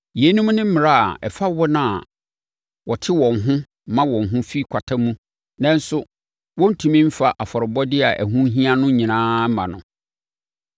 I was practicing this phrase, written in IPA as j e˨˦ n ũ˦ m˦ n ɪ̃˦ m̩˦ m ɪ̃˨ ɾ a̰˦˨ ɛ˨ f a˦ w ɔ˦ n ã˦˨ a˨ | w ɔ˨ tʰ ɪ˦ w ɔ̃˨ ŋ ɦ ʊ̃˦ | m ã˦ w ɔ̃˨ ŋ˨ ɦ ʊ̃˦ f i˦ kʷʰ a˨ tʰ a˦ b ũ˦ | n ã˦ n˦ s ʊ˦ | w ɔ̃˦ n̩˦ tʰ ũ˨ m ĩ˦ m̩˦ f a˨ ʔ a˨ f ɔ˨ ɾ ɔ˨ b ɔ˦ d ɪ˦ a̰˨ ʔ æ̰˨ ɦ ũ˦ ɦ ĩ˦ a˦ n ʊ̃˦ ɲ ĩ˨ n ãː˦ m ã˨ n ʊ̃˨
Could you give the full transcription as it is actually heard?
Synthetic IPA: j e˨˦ n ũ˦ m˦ n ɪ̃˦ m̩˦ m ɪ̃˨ ɾ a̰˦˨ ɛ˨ f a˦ w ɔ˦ n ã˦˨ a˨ | w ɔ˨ tʰ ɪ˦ w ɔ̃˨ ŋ ɦ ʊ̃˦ | m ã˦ w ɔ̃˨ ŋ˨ ɦ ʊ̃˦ f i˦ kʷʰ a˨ tʰ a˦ m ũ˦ | n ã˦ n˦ s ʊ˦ | w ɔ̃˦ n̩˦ tʰ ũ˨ m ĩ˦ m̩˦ f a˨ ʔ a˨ f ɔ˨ ɾ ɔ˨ b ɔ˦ d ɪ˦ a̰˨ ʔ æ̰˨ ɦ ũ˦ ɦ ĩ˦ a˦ n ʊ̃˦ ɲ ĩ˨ n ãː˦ m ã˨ n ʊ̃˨